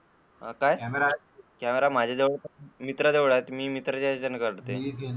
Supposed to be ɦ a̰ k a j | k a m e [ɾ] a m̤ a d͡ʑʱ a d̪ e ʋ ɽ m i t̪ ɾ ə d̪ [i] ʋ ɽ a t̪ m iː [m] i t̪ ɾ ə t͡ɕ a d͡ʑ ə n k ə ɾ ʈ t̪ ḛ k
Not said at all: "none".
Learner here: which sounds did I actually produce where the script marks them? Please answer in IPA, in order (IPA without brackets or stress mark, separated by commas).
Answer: ɾ, e, m